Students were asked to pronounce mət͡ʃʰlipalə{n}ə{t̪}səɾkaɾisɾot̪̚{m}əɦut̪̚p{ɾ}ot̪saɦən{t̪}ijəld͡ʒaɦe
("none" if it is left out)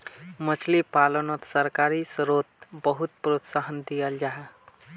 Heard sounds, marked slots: n, t̪, b, ɾ, d̪

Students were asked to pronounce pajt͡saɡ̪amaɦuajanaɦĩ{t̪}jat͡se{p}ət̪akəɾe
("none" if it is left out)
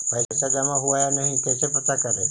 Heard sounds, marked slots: t̪, p

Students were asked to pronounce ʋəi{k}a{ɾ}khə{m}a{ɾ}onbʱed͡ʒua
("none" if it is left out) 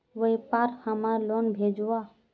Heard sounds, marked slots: p, ɾ, m, l

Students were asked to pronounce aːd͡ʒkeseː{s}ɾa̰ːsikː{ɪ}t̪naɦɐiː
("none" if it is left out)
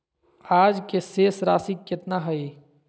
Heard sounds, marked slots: s, ɪ

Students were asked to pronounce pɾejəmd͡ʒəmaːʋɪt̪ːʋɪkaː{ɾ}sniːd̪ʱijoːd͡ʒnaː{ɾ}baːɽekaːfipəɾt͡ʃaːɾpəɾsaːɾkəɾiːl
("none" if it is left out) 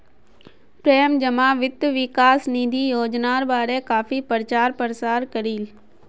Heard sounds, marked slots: none, ɾ

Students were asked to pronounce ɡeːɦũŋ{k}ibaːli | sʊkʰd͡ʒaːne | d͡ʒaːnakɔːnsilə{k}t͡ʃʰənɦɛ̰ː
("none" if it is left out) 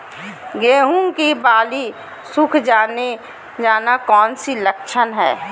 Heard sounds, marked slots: k, k

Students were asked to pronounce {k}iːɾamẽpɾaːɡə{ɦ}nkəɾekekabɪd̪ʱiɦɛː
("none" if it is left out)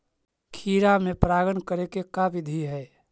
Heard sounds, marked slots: kʰ, none

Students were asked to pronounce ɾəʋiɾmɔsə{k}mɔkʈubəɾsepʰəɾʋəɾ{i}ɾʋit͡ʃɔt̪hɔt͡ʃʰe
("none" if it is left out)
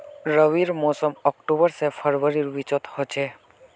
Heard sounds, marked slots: none, i

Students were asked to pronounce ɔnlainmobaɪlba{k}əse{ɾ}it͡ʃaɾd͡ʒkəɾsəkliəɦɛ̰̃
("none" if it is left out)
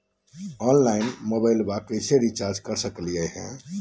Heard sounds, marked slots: k, ɾ

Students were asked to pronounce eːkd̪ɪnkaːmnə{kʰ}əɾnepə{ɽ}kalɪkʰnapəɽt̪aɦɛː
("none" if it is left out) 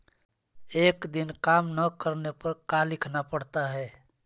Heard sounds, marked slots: k, ɾ

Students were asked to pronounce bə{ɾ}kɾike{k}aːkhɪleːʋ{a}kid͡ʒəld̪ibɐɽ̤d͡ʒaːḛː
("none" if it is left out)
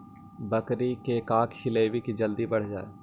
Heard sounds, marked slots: none, k, i

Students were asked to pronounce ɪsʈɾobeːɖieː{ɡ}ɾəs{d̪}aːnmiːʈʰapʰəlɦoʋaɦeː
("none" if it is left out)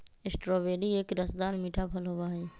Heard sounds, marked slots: k, d̪

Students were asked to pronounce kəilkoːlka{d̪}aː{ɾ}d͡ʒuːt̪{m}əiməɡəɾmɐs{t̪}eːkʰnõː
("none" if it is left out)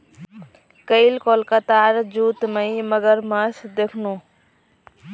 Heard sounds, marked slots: t̪, ɾ, m, d̪

